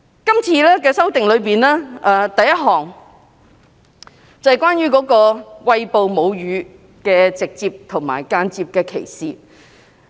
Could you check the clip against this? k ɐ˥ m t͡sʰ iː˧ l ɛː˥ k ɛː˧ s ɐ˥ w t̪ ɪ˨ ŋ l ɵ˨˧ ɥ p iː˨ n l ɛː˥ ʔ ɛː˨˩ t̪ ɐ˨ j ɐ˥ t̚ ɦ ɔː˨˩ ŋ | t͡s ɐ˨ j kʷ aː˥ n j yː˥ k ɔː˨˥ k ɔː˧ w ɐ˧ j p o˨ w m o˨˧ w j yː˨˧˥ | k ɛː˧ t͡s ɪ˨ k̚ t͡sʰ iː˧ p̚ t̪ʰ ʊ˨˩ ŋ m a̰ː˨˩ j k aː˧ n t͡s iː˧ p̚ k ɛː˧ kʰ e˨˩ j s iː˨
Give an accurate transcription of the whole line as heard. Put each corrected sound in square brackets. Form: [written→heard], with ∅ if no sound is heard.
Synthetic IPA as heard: k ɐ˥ m t͡sʰ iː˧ l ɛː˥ k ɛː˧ s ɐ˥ w t̪ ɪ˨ ŋ l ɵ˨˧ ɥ p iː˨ n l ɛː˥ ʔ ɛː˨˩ t̪ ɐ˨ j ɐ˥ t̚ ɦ ɔː˨˩ ŋ | t͡s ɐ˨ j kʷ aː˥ n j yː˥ k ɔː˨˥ k ɔː˧ w ɐ˧ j p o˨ w m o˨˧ w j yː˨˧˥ | k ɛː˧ t͡s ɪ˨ k̚ [t͡sʰ→t͡s] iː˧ p̚ t̪ʰ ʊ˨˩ ŋ m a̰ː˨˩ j k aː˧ n t͡s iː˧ p̚ k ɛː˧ kʰ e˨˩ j s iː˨